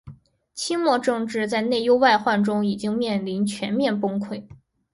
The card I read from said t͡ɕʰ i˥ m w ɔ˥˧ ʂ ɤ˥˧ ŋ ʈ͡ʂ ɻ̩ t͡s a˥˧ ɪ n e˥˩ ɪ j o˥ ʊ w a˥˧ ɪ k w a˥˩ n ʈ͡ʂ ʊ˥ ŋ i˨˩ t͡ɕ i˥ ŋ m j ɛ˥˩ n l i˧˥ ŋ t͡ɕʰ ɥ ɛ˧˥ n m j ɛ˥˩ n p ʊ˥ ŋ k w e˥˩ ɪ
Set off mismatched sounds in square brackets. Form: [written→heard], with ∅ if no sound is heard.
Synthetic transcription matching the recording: t͡ɕʰ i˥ m w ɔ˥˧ [ʂ→ʈ͡ʂ] ɤ˥˧ ŋ ʈ͡ʂ ɻ̩ t͡s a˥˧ ɪ n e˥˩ ɪ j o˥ ʊ w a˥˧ ɪ [k→x] w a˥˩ n ʈ͡ʂ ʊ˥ ŋ i˨˩ t͡ɕ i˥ ŋ m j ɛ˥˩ n l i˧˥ [ŋ→n] t͡ɕʰ ɥ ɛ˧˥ n m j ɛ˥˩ n p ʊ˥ ŋ [k→kʰ] w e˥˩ ɪ